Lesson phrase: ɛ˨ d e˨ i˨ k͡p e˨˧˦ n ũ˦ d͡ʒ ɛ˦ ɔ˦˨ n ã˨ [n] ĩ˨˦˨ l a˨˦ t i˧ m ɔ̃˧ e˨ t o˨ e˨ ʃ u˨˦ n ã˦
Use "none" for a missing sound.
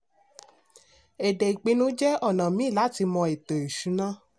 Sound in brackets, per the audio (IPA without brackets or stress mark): m